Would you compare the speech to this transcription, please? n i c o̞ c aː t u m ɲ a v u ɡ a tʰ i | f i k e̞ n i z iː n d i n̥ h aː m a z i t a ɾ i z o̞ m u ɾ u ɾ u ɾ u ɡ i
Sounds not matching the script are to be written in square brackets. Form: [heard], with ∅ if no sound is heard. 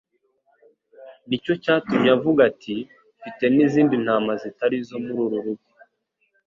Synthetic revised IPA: n i c o̞ c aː t u m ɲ a v u ɡ a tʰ i | f i [t] e̞ n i z iː n d i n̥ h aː m a z i t a ɾ i z o̞ m u ɾ u ɾ u ɾ u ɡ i